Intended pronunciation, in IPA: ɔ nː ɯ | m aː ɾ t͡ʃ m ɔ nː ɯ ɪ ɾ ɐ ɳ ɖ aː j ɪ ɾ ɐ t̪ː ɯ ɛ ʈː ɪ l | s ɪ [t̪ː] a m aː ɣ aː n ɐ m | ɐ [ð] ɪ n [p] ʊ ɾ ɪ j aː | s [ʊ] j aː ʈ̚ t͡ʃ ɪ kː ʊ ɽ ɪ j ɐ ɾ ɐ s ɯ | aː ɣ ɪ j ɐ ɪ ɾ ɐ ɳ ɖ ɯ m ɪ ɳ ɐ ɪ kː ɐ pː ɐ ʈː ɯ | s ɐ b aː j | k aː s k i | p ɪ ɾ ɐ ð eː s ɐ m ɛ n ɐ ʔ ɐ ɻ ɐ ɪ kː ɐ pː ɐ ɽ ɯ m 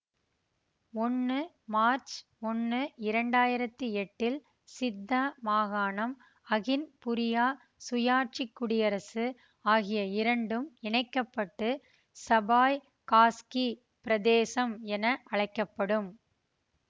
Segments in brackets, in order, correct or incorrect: incorrect: d̪ː, incorrect: ɣ, correct, correct

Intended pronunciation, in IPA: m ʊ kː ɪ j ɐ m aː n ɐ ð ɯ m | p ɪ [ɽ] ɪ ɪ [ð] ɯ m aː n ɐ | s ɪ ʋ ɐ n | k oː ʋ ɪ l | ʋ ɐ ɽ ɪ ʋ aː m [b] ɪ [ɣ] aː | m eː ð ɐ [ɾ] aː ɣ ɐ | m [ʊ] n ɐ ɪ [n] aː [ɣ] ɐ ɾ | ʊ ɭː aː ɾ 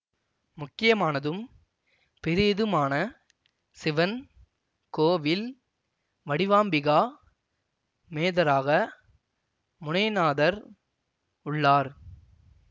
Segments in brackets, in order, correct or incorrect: incorrect: ɾ, correct, correct, correct, correct, correct, correct, incorrect: ð

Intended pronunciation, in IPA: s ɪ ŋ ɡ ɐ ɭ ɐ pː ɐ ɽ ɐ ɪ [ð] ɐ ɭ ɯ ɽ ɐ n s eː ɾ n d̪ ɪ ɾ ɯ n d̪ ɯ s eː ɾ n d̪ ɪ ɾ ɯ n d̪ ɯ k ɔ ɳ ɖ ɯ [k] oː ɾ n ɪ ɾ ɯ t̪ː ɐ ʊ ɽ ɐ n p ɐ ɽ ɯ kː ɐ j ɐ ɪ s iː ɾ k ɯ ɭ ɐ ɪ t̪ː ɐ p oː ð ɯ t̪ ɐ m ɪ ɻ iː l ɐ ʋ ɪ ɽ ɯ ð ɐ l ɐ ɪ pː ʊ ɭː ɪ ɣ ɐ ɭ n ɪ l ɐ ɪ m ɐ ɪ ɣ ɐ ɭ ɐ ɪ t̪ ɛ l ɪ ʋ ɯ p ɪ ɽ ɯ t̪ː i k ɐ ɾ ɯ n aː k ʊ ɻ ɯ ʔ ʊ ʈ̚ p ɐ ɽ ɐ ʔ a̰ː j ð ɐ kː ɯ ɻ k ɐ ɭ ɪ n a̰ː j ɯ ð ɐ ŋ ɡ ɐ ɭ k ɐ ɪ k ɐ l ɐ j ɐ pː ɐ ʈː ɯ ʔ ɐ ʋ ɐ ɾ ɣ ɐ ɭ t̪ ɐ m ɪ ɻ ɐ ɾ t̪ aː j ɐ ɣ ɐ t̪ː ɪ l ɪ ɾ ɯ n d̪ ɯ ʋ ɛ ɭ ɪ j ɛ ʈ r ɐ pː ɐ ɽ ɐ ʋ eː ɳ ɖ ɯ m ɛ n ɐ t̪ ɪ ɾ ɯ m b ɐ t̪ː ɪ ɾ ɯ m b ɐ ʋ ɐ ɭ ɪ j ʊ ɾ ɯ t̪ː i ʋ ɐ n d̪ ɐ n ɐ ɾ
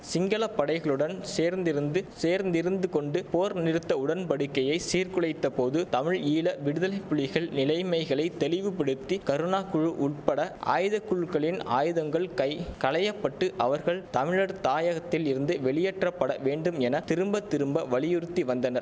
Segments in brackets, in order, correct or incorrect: incorrect: ɣ, incorrect: p

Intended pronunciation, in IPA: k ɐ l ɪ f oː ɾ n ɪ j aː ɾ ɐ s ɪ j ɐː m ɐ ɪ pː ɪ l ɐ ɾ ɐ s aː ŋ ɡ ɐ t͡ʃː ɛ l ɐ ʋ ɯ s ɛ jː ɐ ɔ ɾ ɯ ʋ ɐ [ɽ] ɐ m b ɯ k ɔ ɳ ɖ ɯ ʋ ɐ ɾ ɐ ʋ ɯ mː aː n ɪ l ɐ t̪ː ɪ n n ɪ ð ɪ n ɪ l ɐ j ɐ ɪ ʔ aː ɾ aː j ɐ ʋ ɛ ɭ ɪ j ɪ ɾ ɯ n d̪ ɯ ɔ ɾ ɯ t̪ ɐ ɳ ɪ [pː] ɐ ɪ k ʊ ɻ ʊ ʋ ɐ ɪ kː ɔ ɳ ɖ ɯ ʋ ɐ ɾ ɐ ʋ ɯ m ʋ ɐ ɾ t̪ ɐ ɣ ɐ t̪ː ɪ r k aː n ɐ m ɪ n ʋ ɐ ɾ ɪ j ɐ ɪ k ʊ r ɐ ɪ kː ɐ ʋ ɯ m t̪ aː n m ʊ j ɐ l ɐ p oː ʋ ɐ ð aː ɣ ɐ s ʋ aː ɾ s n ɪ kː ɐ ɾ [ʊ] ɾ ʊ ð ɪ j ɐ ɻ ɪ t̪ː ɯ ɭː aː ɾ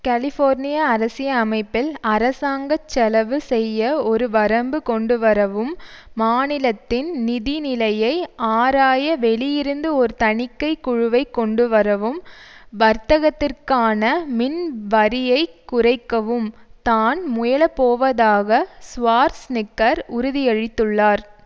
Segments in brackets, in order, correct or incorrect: incorrect: ɾ, incorrect: kː, correct

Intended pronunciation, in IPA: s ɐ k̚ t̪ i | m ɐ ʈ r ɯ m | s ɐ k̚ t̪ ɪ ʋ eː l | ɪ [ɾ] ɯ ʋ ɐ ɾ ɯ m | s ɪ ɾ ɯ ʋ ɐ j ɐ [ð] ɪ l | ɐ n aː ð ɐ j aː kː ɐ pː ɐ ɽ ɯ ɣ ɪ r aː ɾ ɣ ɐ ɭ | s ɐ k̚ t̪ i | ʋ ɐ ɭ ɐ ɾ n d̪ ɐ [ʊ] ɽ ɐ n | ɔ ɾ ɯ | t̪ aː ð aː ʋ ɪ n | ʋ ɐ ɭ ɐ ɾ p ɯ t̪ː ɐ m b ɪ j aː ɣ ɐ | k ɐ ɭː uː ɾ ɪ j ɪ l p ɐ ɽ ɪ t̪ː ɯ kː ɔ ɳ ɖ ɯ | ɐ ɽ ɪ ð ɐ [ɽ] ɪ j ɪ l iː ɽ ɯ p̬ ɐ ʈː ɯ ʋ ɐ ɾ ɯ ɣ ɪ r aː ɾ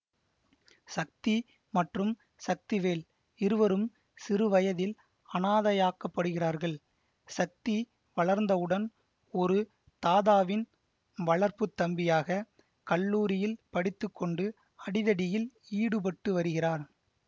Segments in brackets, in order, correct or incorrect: correct, correct, incorrect: ɯ, correct

